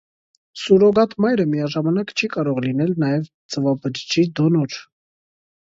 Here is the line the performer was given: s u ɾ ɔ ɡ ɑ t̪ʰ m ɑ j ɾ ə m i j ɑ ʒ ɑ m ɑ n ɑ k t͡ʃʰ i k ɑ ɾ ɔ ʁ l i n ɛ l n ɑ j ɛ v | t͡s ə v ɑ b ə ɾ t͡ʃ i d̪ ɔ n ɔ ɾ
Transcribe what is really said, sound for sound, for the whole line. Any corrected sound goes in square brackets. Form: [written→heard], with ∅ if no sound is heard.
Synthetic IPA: s u ɾ ɔ ɡ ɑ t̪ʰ m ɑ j ɾ ə m i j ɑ ʒ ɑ m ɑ n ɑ k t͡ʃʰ i k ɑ ɾ ɔ ʁ l i n ɛ l n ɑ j ɛ v | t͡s ə v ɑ b ə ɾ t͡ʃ i d̪ ɔ n ɔ ɾ

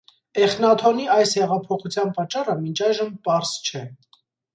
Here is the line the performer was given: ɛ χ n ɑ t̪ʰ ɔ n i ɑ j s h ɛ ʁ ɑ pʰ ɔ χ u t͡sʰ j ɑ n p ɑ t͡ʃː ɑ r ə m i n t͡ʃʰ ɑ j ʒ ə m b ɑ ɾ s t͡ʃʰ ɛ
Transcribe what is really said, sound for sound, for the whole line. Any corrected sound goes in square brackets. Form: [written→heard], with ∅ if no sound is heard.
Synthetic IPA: ɛ χ n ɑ t̪ʰ ɔ n i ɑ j s h ɛ ʁ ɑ pʰ ɔ χ u t͡sʰ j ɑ n p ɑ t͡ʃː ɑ r ə m i n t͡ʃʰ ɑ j ʒ ə m [b→p] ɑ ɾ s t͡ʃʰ ɛ

